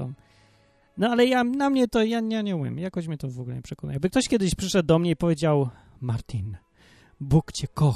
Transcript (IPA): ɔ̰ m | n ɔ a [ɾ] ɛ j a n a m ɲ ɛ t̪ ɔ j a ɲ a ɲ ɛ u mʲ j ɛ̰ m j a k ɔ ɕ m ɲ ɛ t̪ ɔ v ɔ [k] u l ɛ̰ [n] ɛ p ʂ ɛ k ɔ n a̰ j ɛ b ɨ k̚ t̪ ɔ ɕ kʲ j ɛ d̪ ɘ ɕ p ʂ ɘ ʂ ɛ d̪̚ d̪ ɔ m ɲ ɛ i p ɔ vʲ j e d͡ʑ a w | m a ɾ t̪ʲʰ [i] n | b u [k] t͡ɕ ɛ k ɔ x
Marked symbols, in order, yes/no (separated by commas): no, no, no, yes, yes